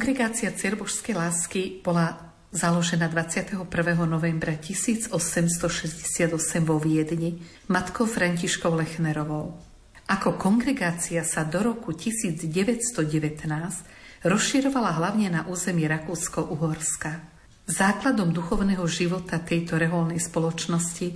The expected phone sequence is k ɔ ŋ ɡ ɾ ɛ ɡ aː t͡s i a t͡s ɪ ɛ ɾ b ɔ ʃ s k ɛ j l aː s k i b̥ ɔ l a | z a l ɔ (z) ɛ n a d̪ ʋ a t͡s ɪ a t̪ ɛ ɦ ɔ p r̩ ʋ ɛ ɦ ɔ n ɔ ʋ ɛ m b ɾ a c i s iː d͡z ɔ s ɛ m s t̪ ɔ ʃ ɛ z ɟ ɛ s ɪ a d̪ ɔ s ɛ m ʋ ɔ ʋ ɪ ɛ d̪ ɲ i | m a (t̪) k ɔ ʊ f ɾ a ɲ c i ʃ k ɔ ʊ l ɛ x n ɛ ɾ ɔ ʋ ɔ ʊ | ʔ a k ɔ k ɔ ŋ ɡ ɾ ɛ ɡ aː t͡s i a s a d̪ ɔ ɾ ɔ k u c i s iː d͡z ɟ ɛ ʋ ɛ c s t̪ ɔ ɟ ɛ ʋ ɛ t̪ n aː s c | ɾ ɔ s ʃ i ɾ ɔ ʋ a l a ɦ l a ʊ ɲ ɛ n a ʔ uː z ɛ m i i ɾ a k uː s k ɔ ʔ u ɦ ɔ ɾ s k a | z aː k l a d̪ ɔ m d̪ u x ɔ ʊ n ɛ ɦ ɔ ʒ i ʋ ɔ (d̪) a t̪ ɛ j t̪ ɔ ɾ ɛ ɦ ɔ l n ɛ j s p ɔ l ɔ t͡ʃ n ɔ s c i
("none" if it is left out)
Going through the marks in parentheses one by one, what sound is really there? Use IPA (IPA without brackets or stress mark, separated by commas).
ʒ, t̪, t̪